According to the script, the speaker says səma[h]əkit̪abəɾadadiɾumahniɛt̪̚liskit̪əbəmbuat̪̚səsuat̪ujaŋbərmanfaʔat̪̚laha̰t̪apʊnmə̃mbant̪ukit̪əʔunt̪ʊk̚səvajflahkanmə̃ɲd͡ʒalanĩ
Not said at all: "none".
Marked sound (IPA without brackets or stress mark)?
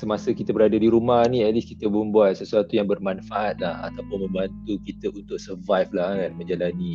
s